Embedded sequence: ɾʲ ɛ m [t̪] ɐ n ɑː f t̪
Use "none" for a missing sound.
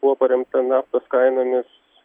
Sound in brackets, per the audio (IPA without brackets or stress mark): t̪